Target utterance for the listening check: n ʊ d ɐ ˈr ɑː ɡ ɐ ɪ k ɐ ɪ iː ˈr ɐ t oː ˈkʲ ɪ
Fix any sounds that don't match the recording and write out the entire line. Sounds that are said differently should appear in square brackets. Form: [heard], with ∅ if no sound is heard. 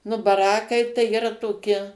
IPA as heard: n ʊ [b] ɐ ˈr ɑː [k] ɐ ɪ [t] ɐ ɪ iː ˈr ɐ t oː ˈkʲ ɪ